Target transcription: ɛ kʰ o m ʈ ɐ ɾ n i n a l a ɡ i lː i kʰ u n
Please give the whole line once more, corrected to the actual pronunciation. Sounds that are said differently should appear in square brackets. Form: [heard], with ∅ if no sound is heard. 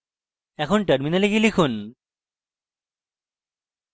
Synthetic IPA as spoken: ɛ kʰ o [n] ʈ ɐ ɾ [m] i n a l [e] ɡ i [l] i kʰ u n